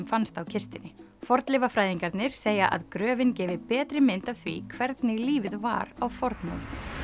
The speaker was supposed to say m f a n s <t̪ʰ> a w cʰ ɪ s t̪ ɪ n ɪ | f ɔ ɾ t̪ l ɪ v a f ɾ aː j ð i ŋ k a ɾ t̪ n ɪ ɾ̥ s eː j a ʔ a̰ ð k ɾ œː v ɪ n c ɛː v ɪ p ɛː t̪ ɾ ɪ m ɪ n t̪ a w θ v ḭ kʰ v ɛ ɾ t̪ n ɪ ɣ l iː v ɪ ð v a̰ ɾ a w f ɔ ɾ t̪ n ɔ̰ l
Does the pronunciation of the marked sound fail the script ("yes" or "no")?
yes